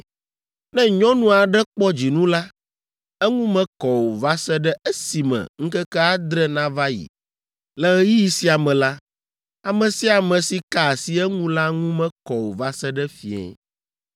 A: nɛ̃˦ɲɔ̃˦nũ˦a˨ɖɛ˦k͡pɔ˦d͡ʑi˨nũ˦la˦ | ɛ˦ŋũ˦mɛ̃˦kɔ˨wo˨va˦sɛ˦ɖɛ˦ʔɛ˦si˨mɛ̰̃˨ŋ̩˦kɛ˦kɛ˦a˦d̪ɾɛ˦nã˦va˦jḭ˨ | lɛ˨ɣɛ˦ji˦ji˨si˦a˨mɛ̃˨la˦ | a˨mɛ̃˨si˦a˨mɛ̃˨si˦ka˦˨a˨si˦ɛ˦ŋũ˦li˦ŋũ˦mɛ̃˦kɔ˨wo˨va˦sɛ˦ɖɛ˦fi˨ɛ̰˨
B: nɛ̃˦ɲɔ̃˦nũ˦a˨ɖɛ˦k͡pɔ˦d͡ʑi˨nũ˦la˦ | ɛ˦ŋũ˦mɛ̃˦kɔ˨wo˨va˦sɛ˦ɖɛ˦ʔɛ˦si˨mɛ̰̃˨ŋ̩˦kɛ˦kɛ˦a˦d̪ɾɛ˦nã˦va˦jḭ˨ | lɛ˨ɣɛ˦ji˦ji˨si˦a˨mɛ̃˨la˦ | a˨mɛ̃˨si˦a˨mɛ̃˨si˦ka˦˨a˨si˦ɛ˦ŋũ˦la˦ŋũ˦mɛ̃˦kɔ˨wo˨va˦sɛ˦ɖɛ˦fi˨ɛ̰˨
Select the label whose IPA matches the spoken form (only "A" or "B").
B